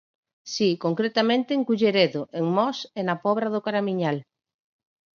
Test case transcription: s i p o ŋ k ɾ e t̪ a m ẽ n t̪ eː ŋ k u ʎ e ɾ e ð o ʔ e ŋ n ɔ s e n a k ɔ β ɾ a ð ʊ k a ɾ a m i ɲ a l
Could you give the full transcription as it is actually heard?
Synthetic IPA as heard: s i k o ŋ k ɾ e t̪ a m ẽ n t̪ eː ŋ k u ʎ e ɾ e ð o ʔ e ŋ m ɔ s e n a p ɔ β ɾ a ð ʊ k a ɾ a m i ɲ a l